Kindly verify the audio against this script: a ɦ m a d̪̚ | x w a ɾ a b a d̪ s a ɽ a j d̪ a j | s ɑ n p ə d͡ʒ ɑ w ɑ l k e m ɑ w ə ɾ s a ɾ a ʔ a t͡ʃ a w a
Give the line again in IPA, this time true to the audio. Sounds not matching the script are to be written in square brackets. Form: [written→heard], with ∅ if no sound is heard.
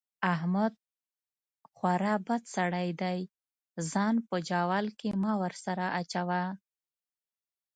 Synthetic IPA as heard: a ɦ m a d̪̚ | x w a ɾ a b a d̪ s a ɽ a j d̪ a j | [s→z] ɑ n p ə d͡ʒ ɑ w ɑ l k e m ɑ w ə ɾ s a ɾ a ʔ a t͡ʃ a w a